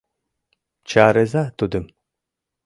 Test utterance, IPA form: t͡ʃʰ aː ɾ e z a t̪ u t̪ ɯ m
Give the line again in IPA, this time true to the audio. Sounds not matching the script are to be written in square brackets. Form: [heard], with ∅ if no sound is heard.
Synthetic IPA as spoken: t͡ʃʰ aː ɾ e z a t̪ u [d̪] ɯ m